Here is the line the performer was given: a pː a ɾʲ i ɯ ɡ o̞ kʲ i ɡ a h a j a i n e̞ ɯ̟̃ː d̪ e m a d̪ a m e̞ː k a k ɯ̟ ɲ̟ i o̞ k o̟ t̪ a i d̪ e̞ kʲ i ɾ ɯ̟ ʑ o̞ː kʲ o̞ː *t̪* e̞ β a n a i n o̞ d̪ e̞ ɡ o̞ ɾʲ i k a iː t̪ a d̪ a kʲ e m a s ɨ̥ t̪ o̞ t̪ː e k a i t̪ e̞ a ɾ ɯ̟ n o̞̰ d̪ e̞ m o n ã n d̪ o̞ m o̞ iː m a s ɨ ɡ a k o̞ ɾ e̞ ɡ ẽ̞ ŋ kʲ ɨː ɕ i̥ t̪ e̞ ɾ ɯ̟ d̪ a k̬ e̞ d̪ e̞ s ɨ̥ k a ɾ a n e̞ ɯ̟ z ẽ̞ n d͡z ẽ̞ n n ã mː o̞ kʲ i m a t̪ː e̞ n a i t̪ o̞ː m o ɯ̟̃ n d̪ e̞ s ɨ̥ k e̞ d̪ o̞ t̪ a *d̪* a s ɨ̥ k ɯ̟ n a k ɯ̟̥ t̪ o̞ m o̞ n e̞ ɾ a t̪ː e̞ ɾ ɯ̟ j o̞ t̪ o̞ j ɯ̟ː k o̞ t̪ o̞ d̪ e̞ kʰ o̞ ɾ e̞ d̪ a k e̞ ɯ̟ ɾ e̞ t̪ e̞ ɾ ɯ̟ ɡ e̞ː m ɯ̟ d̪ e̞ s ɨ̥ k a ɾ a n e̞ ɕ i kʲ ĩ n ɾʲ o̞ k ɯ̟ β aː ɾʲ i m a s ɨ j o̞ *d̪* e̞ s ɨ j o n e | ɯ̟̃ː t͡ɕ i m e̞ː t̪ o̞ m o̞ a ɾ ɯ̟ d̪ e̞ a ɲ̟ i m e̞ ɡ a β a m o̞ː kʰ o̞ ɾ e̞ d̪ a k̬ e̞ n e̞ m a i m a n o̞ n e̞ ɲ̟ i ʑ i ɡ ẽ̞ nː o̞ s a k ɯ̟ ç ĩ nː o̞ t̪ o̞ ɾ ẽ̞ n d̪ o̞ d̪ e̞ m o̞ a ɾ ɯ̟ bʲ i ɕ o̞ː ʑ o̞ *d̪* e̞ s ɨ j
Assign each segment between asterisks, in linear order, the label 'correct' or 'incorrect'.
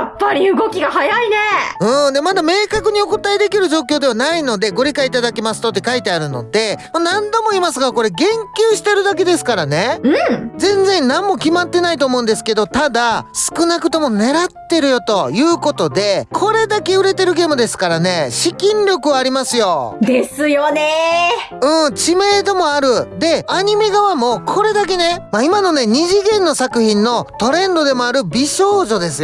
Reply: incorrect, correct, correct, correct

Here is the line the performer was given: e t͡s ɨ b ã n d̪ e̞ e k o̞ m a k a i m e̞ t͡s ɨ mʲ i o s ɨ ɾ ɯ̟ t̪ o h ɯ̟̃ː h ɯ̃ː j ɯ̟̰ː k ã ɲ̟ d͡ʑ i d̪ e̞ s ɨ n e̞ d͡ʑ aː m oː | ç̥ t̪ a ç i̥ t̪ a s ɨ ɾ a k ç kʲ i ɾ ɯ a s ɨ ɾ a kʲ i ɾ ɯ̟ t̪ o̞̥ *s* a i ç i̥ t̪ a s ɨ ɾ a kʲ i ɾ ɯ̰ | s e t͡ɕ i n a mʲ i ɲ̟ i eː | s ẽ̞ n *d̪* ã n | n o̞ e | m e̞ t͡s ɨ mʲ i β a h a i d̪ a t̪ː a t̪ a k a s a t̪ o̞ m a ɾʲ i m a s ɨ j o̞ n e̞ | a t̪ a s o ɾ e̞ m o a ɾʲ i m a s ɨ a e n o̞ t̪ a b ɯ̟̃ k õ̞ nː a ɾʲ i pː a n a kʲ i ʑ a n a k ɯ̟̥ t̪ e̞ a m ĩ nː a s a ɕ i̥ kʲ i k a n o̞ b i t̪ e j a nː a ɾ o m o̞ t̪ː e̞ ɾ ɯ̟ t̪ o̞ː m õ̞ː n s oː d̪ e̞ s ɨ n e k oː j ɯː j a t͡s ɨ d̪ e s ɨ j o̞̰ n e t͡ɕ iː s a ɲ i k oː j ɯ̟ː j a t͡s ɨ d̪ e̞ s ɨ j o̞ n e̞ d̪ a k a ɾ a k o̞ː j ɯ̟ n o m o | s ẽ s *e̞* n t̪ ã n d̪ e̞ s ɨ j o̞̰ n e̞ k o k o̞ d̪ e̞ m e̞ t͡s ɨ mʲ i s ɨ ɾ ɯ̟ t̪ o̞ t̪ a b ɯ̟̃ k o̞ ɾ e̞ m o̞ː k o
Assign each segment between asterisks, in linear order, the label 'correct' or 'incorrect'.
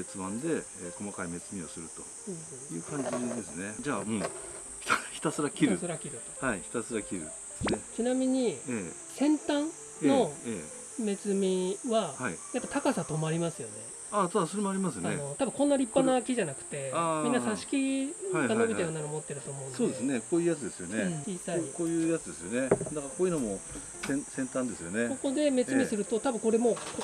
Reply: incorrect, incorrect, incorrect

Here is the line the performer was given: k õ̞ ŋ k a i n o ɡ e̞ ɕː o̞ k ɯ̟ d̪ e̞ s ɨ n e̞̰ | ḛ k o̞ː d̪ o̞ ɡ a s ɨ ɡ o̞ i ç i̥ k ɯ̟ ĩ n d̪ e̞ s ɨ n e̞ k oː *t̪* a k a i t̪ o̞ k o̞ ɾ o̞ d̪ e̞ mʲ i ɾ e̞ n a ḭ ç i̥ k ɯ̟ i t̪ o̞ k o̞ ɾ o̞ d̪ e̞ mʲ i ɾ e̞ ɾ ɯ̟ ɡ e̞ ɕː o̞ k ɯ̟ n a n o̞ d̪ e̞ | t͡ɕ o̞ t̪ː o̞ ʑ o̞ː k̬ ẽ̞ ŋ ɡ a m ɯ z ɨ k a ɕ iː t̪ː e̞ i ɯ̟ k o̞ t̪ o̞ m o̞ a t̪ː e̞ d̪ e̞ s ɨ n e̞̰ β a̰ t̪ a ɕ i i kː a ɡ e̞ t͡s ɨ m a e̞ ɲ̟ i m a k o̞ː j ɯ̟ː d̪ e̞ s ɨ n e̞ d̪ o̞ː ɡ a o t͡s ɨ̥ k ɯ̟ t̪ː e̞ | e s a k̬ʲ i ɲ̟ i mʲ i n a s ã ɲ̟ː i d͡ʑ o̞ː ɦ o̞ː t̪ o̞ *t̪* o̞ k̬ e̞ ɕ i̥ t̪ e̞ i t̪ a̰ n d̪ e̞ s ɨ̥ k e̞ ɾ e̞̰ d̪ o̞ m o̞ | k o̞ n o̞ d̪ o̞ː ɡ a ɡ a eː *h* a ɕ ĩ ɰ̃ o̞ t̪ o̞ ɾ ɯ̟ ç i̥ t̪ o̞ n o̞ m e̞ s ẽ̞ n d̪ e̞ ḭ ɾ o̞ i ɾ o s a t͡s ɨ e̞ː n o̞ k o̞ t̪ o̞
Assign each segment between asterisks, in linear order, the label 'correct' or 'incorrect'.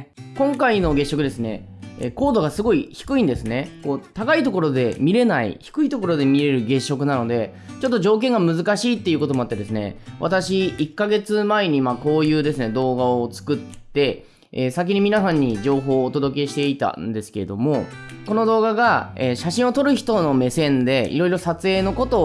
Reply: correct, incorrect, incorrect

